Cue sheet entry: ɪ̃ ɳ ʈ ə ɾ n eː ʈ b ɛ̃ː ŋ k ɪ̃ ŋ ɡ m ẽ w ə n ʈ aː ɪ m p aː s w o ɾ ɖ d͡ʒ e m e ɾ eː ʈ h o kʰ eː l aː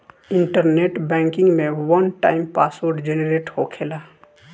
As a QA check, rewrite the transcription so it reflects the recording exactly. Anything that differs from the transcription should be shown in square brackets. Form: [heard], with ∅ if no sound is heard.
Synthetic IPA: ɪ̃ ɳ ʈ ə ɾ n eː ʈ b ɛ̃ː ŋ k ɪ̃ ŋ ɡ m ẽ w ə n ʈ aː ɪ m p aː s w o ɾ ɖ d͡ʒ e [n] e ɾ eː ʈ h o kʰ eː l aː